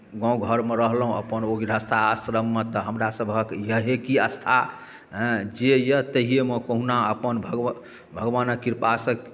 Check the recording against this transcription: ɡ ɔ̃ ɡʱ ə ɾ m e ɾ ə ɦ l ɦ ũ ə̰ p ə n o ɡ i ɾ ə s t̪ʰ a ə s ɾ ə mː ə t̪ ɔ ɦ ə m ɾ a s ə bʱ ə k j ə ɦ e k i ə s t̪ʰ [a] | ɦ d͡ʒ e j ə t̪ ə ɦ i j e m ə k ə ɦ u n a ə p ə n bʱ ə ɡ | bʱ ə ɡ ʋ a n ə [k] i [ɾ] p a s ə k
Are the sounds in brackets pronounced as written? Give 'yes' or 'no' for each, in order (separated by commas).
yes, yes, yes